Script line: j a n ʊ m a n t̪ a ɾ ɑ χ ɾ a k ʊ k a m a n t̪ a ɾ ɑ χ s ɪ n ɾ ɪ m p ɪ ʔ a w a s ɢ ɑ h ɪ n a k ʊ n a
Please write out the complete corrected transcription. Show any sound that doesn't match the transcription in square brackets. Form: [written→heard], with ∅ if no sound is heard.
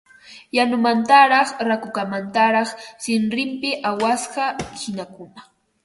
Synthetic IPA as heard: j a n ʊ m a n t̪ a ɾ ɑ χ ɾ a k ʊ k a m a n t̪ a ɾ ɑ χ s ɪ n ɾ ɪ m p ɪ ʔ a w a s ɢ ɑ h ɪ n a k ʊ n a

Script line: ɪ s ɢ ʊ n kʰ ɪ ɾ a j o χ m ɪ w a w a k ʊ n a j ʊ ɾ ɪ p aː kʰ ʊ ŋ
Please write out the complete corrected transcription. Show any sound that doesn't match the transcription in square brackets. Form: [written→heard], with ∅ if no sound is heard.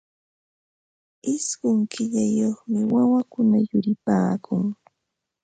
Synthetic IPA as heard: ɪ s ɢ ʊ [n→ŋ] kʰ ɪ [ɾ→ʎ] a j o χ m ɪ w a w a k ʊ n a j ʊ ɾ ɪ p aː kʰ ʊ ŋ

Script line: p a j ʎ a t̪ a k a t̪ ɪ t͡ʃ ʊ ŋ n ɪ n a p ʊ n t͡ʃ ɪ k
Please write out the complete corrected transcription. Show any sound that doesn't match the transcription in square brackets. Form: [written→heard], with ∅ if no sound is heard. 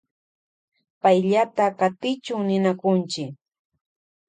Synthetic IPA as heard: p a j ʎ a t̪ a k a t̪ ɪ t͡ʃ ʊ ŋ n ɪ n a [p→k] ʊ n t͡ʃ ɪ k

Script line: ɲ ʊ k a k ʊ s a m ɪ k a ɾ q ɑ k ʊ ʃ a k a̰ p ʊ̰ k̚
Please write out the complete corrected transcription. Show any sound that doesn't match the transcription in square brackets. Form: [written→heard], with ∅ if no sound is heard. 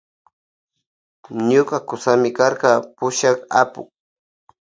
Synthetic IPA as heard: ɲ ʊ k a k ʊ s a m ɪ k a ɾ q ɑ [k→p] ʊ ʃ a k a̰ p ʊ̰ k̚

